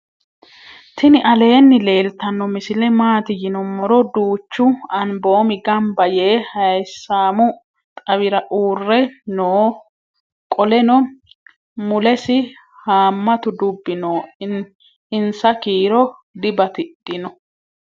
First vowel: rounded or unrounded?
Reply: unrounded